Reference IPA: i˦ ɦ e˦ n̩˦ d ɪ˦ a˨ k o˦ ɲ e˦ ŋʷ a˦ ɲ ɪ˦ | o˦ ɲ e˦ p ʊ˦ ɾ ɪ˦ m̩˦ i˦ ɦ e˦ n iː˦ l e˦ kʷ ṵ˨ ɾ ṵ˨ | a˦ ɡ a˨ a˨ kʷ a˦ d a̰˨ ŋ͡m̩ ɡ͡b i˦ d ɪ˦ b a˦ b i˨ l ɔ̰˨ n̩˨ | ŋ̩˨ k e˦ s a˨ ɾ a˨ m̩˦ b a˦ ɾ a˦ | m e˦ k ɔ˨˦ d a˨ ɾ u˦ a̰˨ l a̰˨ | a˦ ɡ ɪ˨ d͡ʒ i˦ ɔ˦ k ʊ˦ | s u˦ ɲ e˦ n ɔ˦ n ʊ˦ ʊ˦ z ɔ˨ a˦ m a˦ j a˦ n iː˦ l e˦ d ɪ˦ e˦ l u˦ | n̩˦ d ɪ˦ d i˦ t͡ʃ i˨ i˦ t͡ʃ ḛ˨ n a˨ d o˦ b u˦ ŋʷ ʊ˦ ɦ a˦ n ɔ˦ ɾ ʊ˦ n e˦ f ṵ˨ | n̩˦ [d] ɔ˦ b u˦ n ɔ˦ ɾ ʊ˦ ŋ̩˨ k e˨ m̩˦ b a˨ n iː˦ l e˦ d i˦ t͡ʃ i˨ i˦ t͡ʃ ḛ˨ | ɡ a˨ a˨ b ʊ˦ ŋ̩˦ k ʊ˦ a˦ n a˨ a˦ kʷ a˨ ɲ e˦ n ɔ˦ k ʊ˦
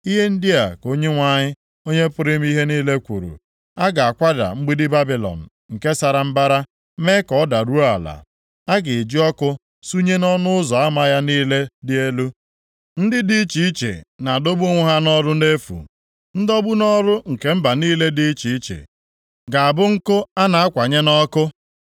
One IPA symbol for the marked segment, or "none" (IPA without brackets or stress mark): d